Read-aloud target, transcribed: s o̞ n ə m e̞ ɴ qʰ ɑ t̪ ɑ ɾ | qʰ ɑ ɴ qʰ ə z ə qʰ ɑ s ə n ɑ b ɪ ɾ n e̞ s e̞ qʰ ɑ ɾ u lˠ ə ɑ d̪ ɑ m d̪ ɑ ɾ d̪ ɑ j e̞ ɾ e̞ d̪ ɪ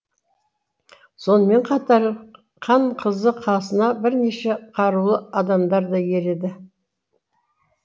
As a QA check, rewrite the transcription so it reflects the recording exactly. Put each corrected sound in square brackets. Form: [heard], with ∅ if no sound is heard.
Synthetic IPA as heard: s o̞ n ə m e̞ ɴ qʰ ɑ t̪ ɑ ɾ | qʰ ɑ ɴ qʰ ə z ə qʰ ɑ s ə n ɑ b ɪ ɾ n e̞ [ʃ] e̞ qʰ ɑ ɾ u lˠ ə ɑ d̪ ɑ m d̪ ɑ ɾ d̪ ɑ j e̞ ɾ e̞ d̪ ɪ